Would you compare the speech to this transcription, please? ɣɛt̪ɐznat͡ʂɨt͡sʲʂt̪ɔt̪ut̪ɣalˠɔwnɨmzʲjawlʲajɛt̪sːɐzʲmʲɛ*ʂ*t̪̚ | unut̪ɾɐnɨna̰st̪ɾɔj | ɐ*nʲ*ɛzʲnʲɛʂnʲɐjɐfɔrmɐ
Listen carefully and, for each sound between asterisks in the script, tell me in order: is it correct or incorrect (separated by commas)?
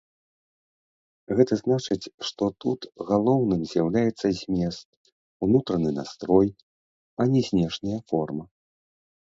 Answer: incorrect, correct